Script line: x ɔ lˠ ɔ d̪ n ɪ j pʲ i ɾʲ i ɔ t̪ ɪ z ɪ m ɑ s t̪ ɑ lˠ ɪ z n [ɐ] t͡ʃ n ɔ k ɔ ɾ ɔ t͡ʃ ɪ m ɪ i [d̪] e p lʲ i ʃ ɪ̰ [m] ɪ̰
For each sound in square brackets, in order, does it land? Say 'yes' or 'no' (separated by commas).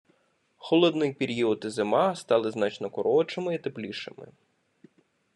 no, no, yes